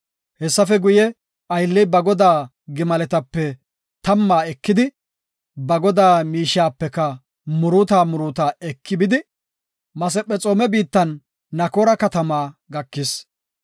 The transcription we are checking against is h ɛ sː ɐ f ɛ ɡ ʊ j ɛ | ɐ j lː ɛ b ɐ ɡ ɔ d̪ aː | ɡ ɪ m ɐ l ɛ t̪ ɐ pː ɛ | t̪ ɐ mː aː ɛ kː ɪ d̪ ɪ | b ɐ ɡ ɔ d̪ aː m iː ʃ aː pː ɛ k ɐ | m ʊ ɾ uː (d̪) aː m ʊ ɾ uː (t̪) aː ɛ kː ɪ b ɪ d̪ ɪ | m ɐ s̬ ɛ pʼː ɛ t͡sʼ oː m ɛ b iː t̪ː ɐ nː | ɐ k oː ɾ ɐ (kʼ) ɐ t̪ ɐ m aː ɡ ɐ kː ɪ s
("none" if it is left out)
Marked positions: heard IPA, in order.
t̪, t̪, k

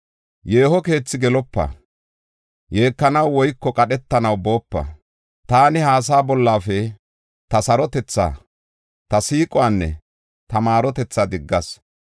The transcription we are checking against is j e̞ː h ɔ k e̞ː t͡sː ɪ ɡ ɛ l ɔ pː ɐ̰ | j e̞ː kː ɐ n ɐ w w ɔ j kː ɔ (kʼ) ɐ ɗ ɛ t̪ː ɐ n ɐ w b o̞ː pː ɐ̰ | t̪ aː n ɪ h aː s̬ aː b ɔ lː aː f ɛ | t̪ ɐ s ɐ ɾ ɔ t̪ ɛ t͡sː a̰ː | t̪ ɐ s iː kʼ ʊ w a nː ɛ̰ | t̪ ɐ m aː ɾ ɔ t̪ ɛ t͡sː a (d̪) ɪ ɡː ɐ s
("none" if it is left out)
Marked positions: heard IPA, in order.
kʼ, d̪

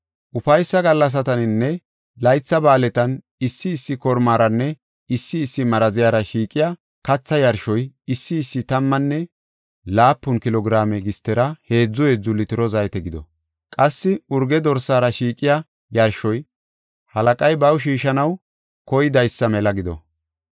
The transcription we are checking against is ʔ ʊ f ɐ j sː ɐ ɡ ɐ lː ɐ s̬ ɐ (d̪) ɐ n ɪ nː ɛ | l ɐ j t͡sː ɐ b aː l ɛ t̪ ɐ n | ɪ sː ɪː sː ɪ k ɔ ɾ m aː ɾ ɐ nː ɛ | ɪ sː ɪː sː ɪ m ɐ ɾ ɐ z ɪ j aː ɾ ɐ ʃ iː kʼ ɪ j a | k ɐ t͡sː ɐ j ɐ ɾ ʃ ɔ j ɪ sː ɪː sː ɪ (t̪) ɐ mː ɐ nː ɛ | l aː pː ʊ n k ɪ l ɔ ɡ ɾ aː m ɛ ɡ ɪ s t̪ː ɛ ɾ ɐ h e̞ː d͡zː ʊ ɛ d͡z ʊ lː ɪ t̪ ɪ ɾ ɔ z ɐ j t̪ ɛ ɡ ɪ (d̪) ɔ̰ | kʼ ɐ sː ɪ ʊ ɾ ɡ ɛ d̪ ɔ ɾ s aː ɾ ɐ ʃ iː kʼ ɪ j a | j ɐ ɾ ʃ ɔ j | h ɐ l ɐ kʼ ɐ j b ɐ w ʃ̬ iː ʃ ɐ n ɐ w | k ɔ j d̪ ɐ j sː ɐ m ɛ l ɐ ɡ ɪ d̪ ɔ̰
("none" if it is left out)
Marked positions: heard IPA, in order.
t̪, t̪, d̪

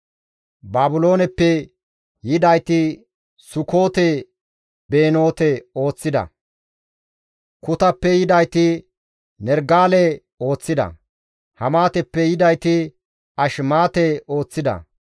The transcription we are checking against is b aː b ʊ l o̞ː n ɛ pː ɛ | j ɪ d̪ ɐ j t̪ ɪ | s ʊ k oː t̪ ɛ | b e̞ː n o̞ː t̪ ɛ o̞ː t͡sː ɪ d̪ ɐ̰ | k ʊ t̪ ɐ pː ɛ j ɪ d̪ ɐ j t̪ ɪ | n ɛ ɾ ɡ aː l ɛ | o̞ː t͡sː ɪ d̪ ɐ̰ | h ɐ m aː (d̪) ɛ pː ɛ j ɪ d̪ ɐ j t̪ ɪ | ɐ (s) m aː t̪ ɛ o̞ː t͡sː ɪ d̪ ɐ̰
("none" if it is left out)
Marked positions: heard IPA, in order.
t̪, ʃ

